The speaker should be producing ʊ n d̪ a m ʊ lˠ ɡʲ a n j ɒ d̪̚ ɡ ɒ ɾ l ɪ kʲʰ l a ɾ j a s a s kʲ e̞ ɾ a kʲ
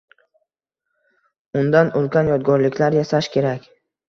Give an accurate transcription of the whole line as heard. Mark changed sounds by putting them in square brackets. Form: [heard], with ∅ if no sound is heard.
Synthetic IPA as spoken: ʊ n d̪ a [n] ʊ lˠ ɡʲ a n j ɒ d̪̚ ɡ ɒ ɾ l ɪ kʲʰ l a ɾ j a s a [ʃ] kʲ e̞ ɾ a kʲ